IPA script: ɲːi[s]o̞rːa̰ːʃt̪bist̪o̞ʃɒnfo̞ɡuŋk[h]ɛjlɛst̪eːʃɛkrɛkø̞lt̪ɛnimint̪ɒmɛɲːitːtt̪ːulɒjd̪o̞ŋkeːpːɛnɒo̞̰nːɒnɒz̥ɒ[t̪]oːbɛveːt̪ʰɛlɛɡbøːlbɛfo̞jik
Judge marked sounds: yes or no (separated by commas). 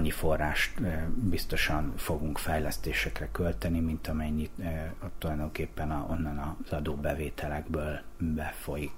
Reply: no, no, no